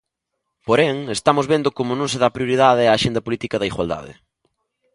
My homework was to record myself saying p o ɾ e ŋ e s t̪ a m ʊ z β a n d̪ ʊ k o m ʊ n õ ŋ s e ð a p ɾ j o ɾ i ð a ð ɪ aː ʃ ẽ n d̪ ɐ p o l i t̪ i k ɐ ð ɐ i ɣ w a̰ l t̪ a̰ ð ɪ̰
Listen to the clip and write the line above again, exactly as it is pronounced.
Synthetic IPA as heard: p o ɾ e ŋ e s t̪ a m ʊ z β e n d̪ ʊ k o m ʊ n õ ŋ s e ð a p ɾ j o ɾ i ð a ð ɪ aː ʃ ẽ n d̪ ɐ p o l i t̪ i k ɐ ð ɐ i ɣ w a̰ l d̪ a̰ ð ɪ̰